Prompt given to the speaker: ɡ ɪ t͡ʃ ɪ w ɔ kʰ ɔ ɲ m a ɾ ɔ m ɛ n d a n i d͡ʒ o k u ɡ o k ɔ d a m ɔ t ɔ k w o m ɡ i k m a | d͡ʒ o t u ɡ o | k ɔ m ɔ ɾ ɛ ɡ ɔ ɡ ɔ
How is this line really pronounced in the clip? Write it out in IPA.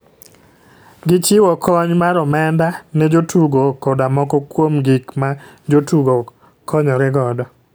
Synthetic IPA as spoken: ɡ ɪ t͡ʃ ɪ w ɔ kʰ ɔ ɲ m a ɾ ɔ m ɛ n d a n ɛ d͡ʒ o t u ɡ o k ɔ d a m ɔ k ɔ k w o m ɡ i k m a | d͡ʒ o t u ɡ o | k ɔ ɲ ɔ ɾ ɛ ɡ ɔ d ɔ